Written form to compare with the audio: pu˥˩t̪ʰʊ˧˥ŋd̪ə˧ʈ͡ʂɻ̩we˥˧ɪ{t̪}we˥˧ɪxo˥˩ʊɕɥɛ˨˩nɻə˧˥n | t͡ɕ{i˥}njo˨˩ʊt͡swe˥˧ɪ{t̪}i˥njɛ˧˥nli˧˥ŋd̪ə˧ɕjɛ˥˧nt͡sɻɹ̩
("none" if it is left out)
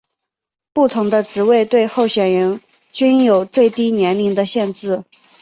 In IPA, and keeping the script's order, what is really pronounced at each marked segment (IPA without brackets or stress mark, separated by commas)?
t̪, y˥, t̪